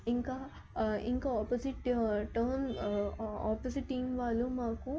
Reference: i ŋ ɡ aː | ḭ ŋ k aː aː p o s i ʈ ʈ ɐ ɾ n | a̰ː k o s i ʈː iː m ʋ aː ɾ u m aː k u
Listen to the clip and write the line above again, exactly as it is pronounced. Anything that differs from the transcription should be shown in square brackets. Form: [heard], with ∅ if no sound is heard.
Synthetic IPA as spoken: i ŋ [k] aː | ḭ ŋ k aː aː p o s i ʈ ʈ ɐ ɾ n | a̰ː [p] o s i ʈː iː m ʋ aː [l] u m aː k u